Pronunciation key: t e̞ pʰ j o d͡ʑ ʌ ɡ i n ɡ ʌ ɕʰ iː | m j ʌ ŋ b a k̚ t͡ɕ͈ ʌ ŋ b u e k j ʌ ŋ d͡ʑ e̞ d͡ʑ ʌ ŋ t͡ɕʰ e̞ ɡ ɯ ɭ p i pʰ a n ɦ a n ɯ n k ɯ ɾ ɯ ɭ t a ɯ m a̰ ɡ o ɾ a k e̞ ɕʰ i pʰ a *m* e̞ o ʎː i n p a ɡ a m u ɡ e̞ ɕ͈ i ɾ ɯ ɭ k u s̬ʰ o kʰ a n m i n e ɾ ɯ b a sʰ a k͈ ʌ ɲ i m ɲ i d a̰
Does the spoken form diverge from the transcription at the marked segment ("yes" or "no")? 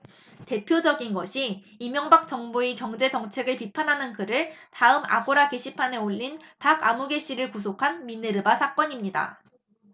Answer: yes